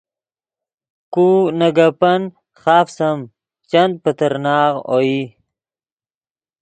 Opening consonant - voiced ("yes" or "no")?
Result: no